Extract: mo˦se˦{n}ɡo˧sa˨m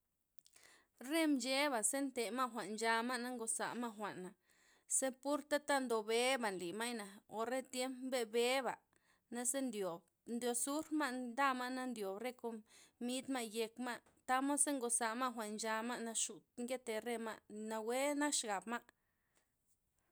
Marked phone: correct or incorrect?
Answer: incorrect